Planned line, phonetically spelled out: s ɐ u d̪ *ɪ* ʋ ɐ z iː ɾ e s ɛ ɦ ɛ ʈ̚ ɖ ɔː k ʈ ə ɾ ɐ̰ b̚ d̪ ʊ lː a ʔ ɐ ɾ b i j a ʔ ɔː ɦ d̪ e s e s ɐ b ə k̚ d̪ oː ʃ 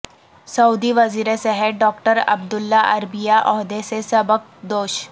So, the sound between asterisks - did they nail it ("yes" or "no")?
no